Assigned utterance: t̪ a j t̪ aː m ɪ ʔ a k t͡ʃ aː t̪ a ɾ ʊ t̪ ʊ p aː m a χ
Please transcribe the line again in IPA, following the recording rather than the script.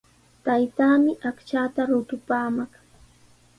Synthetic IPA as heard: t̪ a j t̪ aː m ɪ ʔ a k t͡ʃ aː t̪ a ɾ ʊ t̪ ʊ p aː m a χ